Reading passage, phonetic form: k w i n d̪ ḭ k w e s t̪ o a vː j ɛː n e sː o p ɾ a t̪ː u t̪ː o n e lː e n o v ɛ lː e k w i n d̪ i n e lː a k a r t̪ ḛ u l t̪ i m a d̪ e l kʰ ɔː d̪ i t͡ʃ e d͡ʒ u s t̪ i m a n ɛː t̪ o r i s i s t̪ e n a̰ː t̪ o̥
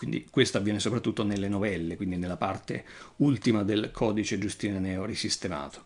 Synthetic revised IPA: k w i n d̪ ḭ k w e s t̪ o a vː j ɛː n e s o p ɾ a t̪ː u t̪ː o n e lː e n o v ɛ lː e k w i n d̪ i n e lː a p a r t̪ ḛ u l t̪ i m a d̪ e l kʰ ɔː d̪ i t͡ʃ e d͡ʒ u s t̪ i n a n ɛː o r i s i s t̪ e m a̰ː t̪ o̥